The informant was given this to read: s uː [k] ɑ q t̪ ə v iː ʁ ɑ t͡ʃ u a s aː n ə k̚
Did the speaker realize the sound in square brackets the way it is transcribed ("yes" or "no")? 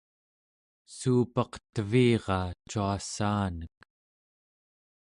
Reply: no